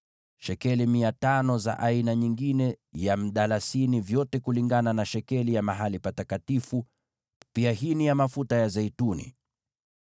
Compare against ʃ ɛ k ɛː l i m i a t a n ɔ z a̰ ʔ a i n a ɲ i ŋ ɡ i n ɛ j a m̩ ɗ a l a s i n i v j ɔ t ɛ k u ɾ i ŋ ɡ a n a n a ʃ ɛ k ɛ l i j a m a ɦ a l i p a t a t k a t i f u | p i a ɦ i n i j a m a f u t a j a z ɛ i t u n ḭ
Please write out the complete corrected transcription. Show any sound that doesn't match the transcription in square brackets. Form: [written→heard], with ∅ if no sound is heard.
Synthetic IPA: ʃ ɛ k [ɛː→ɛ] l i m i a t a n ɔ z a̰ ʔ a i n a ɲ i ŋ ɡ i n ɛ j a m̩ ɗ a l a s i n i v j ɔ t ɛ k u [ɾ→l] i ŋ ɡ a n a n a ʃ ɛ k ɛ l i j a m a ɦ a l i p a t a t k a t i f u | p i a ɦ i n i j a m a f u t a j a z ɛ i t u n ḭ